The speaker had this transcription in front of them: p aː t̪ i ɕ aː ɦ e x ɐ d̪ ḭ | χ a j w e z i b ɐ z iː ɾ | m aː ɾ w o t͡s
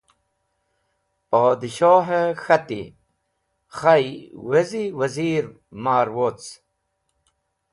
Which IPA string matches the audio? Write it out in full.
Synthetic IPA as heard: p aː d̪ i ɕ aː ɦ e x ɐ t̪ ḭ | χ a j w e z i w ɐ z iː ɾ | m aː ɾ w o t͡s